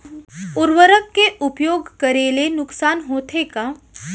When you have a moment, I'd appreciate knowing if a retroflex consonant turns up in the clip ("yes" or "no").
no